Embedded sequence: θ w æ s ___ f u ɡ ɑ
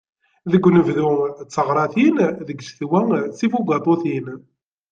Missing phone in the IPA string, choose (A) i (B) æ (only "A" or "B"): A